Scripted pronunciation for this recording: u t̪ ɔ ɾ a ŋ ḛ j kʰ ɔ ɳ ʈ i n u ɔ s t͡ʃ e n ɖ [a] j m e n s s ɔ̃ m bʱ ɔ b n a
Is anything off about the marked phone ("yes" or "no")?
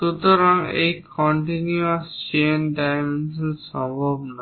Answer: no